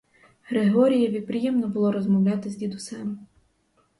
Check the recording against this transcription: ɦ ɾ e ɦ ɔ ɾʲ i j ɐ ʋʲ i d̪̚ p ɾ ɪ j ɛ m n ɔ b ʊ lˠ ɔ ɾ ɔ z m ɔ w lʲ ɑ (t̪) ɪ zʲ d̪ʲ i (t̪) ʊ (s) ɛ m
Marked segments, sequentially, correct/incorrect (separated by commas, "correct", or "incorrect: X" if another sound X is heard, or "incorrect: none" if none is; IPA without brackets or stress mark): correct, incorrect: d̪, correct